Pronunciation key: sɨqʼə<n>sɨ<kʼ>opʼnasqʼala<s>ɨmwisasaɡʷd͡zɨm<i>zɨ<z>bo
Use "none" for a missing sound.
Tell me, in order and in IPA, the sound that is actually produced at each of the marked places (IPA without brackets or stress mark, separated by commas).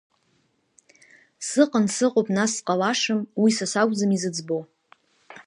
n, qʼ, ʂ, i, d͡z